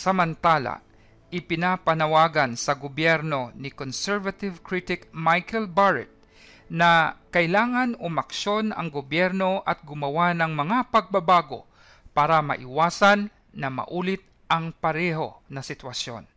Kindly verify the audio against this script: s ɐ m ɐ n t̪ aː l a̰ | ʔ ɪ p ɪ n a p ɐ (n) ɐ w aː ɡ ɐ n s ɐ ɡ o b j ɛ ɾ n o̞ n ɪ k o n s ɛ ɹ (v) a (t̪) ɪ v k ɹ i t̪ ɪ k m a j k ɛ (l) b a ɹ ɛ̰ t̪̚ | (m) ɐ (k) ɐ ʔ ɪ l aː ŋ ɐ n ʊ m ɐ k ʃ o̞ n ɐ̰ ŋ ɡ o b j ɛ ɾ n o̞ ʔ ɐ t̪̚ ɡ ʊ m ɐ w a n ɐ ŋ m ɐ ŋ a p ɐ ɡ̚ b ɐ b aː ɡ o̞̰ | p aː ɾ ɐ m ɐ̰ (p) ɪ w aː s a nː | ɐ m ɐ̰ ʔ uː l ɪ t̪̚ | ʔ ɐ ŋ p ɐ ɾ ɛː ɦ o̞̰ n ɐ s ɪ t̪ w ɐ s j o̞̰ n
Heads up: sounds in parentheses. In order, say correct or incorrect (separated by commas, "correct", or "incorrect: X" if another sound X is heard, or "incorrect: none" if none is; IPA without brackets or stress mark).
correct, correct, correct, correct, incorrect: n, correct, incorrect: ʔ